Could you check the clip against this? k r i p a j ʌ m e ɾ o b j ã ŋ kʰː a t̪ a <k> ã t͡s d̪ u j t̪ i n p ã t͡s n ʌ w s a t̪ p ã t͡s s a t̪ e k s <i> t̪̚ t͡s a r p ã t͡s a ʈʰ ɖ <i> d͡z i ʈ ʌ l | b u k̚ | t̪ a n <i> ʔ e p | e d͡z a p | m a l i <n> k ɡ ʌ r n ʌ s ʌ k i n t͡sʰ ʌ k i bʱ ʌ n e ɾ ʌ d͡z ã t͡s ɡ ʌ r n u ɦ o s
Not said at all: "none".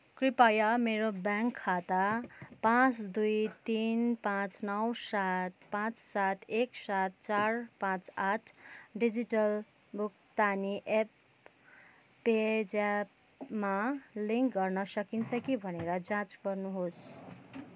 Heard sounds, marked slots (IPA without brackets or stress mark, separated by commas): p, a, i, i, ŋ